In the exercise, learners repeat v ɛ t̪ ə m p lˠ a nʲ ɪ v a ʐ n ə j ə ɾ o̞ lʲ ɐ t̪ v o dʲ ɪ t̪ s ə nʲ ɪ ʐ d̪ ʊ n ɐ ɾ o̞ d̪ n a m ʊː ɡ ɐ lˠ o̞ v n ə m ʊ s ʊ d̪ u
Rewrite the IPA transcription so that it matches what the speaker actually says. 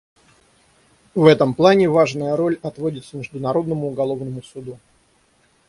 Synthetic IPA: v ɛ t̪ ə m p lˠ a nʲ ɪ v a ʐ n ə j ə ɾ o̞ lʲ ɐ t̪ v o dʲ ɪ t̪ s ə mʲ ɪ ʐ d̪ ʊ n ɐ ɾ o̞ d̪ n ə m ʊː ɡ ɐ lˠ o̞ v n ə m ʊ s ʊ d̪ u